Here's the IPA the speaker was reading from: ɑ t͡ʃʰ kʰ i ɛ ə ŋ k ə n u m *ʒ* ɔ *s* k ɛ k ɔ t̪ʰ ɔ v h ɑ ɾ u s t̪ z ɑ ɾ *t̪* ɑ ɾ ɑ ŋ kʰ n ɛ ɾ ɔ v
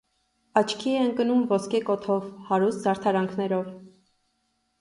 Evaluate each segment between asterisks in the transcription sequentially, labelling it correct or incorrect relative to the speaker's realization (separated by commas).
incorrect, correct, incorrect